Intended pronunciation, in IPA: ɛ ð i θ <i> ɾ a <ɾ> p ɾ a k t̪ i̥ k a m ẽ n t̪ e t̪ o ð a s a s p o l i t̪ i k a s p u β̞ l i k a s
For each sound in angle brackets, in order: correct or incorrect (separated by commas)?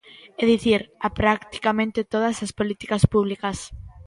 correct, incorrect